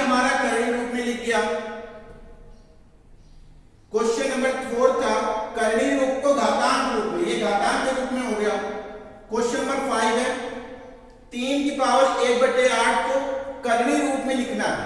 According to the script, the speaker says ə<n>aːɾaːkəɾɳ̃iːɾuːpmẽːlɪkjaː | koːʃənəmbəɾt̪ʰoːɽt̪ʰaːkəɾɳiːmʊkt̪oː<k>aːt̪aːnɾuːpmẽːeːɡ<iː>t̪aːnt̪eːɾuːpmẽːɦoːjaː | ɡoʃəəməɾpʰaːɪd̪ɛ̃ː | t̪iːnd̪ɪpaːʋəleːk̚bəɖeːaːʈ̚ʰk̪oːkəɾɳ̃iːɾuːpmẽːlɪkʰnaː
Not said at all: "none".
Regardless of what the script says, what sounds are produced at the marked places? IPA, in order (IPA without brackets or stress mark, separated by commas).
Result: m, ɡ, aː